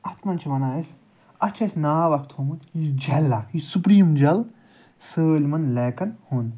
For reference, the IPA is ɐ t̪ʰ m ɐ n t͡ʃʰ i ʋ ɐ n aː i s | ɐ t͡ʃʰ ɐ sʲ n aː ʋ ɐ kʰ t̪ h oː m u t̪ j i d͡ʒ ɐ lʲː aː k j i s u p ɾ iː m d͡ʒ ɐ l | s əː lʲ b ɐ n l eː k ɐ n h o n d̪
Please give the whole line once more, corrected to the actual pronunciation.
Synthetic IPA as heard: ɐ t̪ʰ m ɐ n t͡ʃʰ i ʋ ɐ n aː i s | ɐ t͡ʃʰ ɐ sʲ n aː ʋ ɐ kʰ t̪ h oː m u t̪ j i d͡ʒ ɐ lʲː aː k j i s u p ɾ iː m d͡ʒ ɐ l | s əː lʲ m ɐ n l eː k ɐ n h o n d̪